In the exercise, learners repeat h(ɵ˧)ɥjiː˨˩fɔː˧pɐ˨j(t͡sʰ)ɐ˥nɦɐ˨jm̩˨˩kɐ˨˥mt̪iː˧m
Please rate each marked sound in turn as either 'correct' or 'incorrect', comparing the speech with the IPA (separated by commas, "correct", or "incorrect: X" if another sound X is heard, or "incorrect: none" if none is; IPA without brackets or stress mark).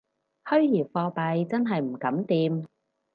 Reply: incorrect: ɵ˥, incorrect: t͡s